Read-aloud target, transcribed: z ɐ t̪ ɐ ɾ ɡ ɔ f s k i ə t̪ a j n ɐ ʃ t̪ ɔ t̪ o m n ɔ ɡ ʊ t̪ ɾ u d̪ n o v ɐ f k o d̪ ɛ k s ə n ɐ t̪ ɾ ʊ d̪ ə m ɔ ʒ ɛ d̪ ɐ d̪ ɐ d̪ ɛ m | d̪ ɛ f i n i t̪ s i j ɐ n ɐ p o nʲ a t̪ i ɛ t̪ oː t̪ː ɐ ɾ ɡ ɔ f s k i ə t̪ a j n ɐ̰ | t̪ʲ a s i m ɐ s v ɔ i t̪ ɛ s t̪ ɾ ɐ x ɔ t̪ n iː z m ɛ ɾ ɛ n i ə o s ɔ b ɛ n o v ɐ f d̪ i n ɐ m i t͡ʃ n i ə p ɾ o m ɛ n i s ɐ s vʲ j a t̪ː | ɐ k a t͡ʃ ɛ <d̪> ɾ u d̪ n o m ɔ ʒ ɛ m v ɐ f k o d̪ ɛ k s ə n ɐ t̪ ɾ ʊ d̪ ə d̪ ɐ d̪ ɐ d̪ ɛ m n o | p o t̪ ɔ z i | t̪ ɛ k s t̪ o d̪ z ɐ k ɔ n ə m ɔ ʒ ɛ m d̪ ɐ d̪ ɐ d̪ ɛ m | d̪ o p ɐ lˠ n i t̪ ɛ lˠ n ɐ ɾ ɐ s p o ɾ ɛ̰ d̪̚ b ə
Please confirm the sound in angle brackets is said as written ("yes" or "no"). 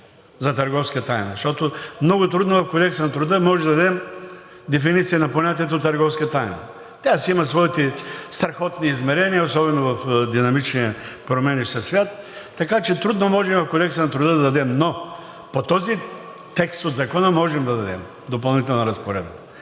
no